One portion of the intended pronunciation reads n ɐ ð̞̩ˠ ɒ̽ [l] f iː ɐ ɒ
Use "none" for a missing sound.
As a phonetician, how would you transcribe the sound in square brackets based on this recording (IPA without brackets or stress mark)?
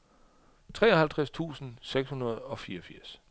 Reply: none